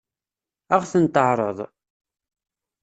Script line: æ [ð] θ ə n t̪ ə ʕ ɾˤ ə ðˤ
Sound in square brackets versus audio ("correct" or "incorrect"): incorrect